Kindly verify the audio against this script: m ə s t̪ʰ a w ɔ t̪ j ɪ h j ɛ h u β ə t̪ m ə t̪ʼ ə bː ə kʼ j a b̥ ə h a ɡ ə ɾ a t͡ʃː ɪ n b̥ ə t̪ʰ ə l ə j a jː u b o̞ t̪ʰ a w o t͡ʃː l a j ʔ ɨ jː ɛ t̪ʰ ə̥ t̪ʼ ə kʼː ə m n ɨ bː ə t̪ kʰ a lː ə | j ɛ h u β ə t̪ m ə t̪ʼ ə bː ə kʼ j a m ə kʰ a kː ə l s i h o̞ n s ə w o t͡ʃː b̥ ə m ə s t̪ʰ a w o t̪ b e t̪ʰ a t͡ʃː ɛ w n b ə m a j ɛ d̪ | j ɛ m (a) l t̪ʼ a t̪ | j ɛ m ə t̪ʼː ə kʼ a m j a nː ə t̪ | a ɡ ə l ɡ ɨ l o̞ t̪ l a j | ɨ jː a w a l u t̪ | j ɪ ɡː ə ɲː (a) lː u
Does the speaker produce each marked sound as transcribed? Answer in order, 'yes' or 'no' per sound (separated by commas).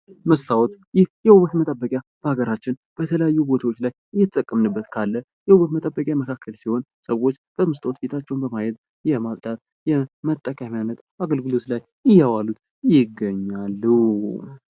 yes, yes